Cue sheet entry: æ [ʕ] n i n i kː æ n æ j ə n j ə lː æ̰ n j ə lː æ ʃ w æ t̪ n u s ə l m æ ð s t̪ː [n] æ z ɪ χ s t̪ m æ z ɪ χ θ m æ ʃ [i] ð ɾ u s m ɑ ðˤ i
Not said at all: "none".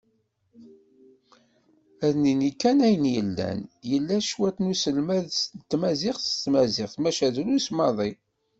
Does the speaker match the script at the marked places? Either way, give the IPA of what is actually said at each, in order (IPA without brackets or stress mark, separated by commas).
ð, m, æ